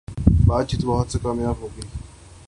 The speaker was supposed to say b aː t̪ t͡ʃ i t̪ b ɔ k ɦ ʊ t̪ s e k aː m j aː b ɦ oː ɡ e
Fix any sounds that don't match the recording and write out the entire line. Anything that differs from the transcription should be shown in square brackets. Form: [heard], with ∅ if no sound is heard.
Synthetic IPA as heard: b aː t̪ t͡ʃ i t̪ b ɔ [∅] ɦ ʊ t̪ s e k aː m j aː b ɦ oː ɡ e